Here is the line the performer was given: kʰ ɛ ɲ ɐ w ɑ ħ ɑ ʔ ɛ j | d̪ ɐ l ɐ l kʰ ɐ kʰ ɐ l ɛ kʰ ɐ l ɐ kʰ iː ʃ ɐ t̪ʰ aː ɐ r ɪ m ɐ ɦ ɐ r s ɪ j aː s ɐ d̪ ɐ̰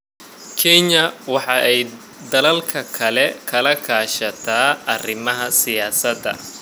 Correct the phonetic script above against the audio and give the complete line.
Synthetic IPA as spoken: kʰ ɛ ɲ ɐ w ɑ ħ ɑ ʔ ɛ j | d̪ ɐ l ɐ l kʰ ɐ kʰ ɐ l ɛ kʰ ɐ l ɐ kʰ aː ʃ ɐ t̪ʰ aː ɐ r ɪ m ɐ ɦ ɐ s ɪ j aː s ɐ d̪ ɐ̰